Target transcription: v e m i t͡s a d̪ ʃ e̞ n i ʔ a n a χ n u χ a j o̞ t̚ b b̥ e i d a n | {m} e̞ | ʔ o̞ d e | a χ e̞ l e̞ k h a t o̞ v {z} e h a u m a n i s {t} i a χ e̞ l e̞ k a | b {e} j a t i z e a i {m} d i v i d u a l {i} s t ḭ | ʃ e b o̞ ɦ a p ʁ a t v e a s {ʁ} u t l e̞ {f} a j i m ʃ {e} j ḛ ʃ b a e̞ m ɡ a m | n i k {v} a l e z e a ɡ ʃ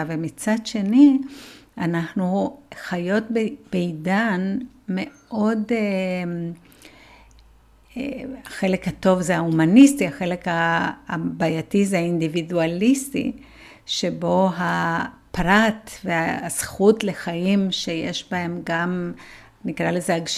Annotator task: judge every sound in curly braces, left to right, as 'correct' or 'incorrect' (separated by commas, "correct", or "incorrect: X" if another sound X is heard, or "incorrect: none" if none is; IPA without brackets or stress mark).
correct, correct, correct, incorrect: a, incorrect: n, correct, incorrect: χ, incorrect: χ, correct, incorrect: ʁ